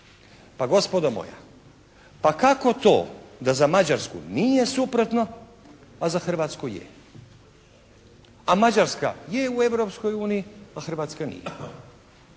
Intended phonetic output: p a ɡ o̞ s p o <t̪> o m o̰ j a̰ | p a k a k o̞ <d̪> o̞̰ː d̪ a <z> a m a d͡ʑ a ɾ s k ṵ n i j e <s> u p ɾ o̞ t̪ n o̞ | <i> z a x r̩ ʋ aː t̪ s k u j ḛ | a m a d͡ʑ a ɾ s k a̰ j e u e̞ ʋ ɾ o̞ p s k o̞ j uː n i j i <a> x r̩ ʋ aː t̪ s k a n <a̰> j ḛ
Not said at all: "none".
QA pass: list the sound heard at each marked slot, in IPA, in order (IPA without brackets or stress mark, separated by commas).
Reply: d̪, t̪, z, s, a, a, ḭ